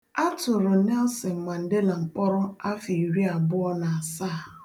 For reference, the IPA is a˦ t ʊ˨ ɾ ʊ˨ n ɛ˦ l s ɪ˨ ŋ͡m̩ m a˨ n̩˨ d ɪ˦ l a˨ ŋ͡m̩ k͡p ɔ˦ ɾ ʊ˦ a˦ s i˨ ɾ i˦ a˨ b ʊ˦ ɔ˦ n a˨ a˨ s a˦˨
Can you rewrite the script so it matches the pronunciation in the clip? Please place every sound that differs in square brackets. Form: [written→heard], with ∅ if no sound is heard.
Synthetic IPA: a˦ t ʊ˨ ɾ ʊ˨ n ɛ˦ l s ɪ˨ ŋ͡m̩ m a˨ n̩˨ d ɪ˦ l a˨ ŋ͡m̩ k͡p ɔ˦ ɾ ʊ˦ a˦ [s→f] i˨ ɾ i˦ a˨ b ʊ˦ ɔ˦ n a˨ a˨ s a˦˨